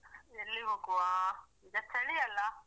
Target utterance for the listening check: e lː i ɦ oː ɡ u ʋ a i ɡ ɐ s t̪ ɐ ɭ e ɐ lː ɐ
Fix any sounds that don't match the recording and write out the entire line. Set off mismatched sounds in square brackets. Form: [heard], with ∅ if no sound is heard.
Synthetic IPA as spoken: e lː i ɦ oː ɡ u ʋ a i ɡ ɐ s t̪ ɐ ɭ [i] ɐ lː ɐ